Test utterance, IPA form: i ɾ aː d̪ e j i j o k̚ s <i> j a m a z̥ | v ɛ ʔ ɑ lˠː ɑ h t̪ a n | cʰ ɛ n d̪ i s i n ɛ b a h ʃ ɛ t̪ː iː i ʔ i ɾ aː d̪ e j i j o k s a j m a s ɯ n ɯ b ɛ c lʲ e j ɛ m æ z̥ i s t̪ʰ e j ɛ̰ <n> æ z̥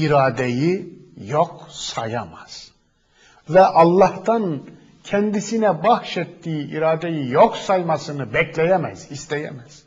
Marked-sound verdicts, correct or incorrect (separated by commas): incorrect, incorrect